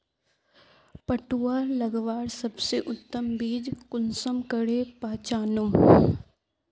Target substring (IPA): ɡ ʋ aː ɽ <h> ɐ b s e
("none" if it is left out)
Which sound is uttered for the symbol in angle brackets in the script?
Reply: s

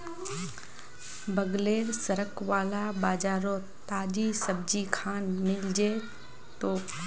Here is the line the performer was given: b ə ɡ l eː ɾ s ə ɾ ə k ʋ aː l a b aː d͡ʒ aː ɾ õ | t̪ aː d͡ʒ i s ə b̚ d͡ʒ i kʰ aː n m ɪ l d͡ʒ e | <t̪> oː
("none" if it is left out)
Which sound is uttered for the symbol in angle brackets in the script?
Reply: t̪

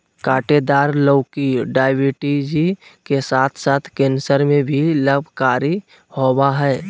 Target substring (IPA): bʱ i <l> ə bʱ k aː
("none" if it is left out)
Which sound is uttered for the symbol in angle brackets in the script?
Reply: l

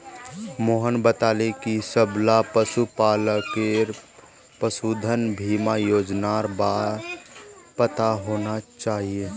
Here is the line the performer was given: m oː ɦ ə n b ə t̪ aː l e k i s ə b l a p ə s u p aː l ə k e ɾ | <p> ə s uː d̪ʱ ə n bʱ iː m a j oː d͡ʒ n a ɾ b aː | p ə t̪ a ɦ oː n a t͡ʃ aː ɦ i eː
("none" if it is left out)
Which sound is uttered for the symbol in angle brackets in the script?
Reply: p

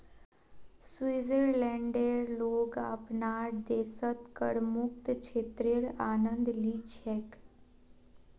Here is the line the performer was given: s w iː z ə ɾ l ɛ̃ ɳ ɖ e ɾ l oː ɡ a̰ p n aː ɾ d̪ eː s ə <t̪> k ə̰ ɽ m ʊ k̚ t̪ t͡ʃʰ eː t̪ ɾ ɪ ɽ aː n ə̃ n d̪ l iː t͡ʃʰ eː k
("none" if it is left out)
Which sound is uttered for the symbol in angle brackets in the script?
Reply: t̪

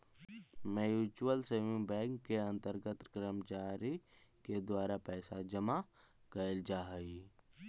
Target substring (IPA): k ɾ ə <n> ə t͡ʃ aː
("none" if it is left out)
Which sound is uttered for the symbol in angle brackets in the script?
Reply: m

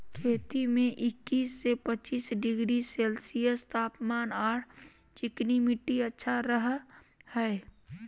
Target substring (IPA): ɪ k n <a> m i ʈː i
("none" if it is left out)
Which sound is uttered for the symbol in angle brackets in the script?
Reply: i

